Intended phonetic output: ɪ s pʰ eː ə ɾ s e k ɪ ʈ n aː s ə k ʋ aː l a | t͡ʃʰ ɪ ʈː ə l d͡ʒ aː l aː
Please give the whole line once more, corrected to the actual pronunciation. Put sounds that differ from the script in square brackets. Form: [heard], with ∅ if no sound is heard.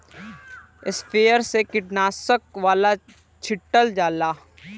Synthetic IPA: ɪ s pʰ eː ə ɾ s e k ɪ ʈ n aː s ə k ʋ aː l a | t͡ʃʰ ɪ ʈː ə l d͡ʒ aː l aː